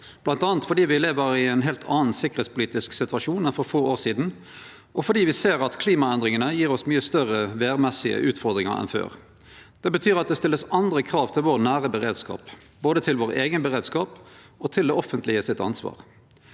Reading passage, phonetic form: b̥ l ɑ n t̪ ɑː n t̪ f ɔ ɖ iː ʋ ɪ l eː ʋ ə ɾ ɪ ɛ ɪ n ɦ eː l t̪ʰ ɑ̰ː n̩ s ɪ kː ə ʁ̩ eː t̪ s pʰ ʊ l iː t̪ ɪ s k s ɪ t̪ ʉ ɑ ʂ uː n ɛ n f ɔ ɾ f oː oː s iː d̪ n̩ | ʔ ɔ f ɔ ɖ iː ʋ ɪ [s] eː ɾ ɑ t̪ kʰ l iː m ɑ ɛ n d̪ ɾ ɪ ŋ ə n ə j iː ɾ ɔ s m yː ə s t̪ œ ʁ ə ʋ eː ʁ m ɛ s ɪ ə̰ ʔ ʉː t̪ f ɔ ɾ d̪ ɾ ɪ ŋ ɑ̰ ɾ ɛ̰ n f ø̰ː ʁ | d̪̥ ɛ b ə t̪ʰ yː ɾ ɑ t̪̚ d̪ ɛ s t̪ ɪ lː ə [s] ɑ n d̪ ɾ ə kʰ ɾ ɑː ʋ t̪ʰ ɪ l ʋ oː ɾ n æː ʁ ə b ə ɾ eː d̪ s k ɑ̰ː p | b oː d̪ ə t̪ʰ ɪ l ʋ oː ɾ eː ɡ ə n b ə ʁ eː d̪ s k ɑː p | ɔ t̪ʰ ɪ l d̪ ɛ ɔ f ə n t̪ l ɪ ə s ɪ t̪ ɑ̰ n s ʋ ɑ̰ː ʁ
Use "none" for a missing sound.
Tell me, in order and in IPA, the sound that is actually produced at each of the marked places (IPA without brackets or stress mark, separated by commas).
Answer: s, s